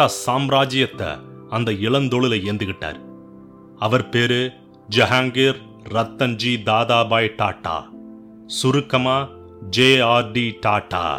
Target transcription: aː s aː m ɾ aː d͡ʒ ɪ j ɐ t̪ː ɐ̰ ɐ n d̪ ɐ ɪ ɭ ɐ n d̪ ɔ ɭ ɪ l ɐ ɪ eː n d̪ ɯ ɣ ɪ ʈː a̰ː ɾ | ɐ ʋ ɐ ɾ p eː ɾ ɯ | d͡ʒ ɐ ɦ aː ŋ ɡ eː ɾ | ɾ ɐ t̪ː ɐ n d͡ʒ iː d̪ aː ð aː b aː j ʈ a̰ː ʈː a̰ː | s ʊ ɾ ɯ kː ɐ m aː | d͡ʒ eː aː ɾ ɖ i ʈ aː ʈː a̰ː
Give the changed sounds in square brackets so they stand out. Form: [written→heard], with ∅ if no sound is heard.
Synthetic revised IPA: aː s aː m ɾ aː d͡ʒ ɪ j ɐ t̪ː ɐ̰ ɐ n d̪ ɐ ɪ ɭ ɐ n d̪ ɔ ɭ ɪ l ɐ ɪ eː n d̪ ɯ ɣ ɪ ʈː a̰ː ɾ | ɐ ʋ ɐ ɾ p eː ɾ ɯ | d͡ʒ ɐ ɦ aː ŋ ɡ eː ɾ | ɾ ɐ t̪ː ɐ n d͡ʒ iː d̪ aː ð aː b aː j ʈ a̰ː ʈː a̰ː | s ʊ ɾ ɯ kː ɐ m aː | d͡ʒ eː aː ɾ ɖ i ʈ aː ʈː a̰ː